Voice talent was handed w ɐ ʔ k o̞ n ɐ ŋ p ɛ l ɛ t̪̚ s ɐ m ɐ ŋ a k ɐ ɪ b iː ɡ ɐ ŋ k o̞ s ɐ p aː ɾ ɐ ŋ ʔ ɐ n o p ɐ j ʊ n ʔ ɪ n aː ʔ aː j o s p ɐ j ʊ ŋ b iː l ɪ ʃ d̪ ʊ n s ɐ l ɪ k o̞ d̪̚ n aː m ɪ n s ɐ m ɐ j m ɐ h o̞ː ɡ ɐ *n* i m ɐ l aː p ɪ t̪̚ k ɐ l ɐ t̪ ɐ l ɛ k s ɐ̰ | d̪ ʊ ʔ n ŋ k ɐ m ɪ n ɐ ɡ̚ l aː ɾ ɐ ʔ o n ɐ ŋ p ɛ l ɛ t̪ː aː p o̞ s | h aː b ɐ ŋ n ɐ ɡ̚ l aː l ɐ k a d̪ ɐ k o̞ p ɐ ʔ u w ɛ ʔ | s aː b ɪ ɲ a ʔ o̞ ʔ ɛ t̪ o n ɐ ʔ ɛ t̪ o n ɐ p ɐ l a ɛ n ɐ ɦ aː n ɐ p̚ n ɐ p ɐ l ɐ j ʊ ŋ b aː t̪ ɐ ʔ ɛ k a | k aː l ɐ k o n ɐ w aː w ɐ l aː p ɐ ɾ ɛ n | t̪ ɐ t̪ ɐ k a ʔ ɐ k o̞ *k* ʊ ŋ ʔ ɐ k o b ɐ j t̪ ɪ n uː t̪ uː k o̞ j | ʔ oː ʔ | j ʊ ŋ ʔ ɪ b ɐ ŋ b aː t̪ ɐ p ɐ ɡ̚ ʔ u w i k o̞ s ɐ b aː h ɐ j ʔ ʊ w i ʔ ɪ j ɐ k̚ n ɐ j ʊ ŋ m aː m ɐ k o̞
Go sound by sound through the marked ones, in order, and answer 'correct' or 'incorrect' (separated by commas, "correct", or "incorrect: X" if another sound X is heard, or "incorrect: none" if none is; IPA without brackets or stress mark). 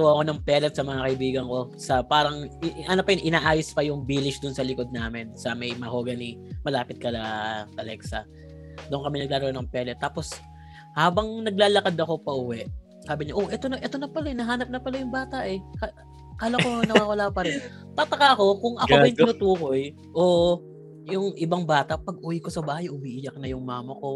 correct, correct